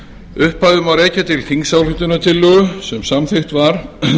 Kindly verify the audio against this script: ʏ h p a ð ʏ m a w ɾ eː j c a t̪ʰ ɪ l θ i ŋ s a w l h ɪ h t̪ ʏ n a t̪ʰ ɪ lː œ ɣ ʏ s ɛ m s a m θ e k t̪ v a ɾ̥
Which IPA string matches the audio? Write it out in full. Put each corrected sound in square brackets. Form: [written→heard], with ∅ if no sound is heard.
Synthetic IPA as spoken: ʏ h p a ð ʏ m a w ɾ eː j c a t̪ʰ ɪ l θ i ŋ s a w l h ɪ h t̪ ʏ n a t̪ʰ ɪ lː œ ɣ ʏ s ɛ m s a m θ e [k→x] t̪ v a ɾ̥